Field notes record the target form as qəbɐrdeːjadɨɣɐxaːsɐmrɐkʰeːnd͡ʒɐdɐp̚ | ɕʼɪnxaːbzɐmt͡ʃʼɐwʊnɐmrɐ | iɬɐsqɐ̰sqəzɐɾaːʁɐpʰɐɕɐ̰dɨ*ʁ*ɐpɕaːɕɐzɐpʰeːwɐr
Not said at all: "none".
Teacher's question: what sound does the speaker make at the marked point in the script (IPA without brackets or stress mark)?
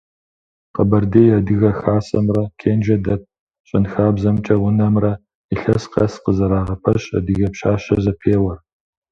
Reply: ɣ